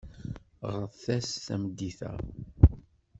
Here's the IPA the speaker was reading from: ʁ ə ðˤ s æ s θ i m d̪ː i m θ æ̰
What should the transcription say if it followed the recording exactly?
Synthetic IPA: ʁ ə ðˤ θ æ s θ æ m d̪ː i θ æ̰

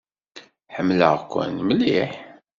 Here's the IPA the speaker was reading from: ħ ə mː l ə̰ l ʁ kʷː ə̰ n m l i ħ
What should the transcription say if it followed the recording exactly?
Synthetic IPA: ħ ə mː l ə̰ ʁ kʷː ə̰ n m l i ħ

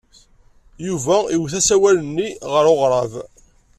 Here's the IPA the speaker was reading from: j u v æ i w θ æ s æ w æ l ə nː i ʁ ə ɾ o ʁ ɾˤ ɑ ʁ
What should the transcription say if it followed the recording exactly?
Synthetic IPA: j u v æ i w θ æ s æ w æ l ə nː i ʁ ə ɾ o ʁ ɾˤ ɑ v

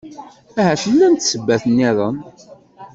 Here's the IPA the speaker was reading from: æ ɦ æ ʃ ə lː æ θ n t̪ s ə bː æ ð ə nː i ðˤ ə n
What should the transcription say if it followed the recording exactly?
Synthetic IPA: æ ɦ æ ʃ ə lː æ n t̪ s ə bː æ θ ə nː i ðˤ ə n

